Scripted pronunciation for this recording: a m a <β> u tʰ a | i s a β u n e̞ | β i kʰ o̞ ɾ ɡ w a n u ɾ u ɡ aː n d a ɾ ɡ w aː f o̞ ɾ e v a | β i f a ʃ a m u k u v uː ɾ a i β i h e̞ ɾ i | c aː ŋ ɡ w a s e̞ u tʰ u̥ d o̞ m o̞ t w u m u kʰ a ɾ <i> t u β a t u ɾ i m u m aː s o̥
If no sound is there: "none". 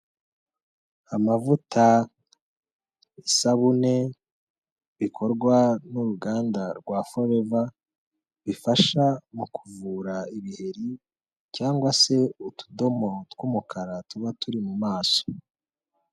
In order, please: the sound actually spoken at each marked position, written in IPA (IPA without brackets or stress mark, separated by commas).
v, a